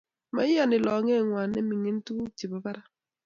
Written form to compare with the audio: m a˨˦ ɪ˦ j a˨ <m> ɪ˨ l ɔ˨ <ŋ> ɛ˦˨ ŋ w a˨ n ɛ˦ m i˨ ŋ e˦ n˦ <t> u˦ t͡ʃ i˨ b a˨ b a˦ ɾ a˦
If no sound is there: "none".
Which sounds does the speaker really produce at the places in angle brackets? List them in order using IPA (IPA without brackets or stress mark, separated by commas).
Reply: n, ŋ, t